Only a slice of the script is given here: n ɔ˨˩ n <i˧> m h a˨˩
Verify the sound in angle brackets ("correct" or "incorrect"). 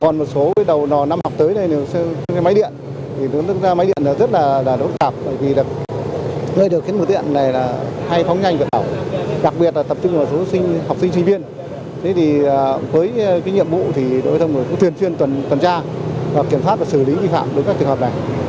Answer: incorrect